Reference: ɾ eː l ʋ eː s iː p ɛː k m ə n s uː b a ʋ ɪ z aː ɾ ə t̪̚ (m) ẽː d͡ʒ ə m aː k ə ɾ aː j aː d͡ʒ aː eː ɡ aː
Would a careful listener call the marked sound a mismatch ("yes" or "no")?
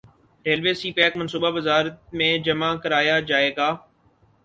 no